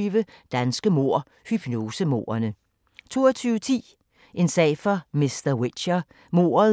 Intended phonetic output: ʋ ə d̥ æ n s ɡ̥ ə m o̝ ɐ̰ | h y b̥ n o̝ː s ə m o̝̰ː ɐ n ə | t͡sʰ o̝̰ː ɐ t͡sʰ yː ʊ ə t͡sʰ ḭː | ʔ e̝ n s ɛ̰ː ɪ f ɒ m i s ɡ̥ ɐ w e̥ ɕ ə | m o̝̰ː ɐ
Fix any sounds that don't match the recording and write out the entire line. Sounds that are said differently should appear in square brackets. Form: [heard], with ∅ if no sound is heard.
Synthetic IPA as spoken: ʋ ə d̥ æ n s ɡ̥ ə m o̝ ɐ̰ | h y b̥ n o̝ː s ə m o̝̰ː ɐ n ə | t͡sʰ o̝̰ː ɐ t͡sʰ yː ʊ ə t͡sʰ ḭː | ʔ e̝ n s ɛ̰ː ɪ f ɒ m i s [d̥] ɐ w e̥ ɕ [ɐ] | m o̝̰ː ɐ